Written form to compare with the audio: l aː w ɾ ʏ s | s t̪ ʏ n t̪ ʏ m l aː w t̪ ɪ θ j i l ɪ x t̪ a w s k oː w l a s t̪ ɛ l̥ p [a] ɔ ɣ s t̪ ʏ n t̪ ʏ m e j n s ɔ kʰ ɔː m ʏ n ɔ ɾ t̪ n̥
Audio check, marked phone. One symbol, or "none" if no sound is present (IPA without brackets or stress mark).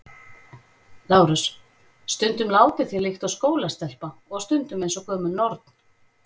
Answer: a